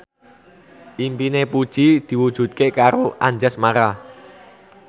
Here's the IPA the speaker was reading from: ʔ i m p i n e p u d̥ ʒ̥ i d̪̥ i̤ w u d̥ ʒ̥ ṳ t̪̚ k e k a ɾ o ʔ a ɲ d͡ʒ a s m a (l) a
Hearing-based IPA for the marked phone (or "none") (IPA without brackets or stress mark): ɾ